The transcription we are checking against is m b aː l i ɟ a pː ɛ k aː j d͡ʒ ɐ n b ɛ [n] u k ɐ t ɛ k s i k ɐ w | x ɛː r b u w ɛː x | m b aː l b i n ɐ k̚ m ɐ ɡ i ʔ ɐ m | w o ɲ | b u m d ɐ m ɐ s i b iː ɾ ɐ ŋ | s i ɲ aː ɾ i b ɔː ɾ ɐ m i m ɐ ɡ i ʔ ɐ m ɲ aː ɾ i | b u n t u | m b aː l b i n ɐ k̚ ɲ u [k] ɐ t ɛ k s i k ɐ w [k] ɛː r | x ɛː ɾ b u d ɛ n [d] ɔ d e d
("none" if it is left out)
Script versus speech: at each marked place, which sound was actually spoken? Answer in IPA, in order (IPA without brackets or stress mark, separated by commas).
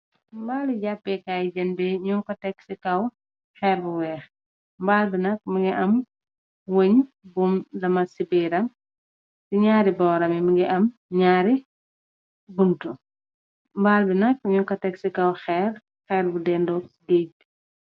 ɲ, k, x, d